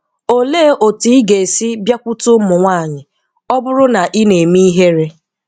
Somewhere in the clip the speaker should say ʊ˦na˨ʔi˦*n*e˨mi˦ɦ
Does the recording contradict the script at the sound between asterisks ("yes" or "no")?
no